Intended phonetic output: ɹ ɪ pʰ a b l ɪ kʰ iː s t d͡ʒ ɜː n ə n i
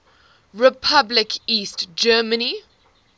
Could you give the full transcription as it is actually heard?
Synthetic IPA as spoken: ɹ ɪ pʰ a b l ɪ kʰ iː s t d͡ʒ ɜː m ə n i

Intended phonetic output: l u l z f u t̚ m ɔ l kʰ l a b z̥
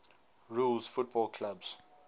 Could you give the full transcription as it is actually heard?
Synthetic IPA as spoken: ɹ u l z f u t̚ b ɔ l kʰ l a b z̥

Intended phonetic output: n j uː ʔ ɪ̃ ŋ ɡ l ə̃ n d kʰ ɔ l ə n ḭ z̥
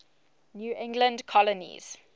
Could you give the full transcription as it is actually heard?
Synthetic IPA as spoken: n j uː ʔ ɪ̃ ŋ ɡ l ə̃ n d kʰ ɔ l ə n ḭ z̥

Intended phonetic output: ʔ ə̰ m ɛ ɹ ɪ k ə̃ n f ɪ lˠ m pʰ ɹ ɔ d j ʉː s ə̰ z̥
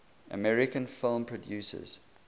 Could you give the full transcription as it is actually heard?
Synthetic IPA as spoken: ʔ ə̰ m ɛ ɹ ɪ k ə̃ n f ɪ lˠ m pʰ ɹ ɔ d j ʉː s ə̰ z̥

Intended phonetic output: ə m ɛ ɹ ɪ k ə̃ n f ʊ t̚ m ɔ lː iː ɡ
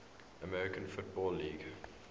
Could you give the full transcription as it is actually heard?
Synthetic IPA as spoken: ə m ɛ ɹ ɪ k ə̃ n f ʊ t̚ b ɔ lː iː ɡ

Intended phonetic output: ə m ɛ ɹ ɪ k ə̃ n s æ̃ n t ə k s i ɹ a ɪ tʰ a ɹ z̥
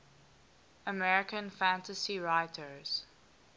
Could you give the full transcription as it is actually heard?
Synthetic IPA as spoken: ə m ɛ ɹ ɪ k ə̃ n f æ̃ n t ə s i ɹ a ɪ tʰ ə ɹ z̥

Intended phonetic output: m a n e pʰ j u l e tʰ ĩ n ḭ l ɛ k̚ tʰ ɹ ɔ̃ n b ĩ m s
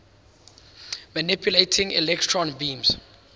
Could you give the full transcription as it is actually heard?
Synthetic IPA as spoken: m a n i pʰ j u l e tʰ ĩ ŋ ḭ l ɛ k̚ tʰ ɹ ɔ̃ n b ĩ m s

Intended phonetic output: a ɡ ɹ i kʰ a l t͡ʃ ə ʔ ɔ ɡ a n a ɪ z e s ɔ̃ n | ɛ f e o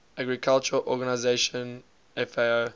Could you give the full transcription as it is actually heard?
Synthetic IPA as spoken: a ɡ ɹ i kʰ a l t͡ʃ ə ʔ ɔ ɡ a n a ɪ z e ʃ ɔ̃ n | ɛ f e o

